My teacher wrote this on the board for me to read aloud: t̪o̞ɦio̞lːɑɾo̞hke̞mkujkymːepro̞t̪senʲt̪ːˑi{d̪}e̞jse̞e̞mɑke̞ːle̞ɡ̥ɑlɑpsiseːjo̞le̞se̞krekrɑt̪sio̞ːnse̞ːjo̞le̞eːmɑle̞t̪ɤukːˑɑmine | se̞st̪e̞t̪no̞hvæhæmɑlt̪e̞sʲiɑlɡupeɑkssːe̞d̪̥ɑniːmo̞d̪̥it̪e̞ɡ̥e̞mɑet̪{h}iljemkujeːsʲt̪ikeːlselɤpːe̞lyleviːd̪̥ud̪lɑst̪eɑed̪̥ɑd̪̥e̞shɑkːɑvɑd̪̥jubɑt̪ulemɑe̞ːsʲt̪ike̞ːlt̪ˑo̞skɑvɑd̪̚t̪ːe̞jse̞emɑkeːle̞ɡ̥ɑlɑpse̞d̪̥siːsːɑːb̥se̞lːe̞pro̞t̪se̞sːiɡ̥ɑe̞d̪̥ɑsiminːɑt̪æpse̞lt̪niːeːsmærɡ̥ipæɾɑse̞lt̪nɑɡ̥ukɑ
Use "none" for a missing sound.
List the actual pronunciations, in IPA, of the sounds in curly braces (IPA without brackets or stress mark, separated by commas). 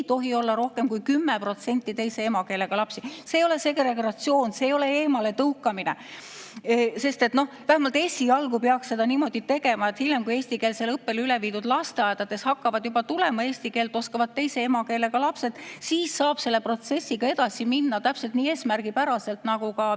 t̪, h